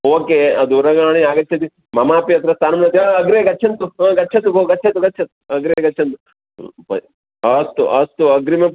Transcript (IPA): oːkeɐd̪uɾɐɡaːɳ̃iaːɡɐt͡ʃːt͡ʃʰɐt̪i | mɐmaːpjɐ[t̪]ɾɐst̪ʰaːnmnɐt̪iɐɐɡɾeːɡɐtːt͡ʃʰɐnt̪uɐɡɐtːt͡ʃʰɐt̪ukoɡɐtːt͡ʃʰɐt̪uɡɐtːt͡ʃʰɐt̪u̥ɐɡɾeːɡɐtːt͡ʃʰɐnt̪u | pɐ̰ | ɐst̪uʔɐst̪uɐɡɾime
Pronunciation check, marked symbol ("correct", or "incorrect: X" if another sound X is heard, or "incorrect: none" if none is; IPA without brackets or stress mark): correct